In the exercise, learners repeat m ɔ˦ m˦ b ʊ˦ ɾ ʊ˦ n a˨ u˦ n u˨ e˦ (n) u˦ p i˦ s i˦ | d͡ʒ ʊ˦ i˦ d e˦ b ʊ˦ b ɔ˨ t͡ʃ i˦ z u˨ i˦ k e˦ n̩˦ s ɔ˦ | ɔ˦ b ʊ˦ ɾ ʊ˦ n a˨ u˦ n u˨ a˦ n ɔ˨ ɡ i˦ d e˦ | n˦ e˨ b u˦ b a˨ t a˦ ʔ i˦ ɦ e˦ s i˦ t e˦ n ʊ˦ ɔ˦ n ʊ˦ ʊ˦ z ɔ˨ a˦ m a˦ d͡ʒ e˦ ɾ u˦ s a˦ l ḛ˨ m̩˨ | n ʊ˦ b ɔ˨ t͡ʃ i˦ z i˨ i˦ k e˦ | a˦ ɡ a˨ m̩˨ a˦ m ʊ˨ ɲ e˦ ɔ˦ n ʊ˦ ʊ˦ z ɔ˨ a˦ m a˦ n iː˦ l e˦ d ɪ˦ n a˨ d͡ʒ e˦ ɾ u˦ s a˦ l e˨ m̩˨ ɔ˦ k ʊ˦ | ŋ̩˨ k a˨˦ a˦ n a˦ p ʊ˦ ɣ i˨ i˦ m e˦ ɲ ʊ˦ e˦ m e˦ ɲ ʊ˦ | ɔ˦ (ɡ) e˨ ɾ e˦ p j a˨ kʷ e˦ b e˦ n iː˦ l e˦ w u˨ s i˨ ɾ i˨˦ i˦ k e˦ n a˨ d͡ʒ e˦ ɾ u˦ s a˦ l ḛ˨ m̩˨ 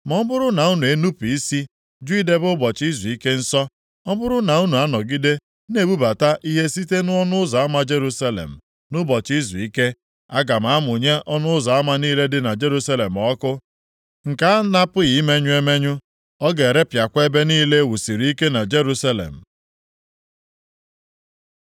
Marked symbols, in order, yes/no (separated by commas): yes, yes